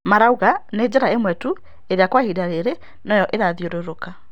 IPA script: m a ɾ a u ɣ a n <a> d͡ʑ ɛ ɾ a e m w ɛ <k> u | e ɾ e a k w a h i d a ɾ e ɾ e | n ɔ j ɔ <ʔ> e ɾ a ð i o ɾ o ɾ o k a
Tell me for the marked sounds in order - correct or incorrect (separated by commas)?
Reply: incorrect, incorrect, correct